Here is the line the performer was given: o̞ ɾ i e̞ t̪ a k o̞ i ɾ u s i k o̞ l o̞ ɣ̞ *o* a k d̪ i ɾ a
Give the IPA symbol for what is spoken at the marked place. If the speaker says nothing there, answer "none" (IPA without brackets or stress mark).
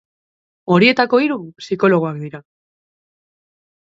o